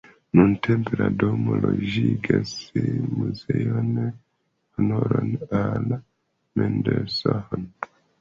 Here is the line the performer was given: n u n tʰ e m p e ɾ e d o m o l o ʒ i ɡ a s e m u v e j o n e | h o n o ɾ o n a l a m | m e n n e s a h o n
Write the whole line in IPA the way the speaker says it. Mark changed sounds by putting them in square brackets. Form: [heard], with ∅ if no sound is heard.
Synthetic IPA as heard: n u n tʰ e m p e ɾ [a] d o m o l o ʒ i ɡ a s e m u [z] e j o n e | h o n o ɾ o n a l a [∅] | m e n [d] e s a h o n